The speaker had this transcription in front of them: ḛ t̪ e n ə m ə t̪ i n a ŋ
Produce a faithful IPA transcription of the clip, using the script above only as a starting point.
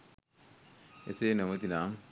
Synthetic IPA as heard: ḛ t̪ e n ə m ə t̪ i n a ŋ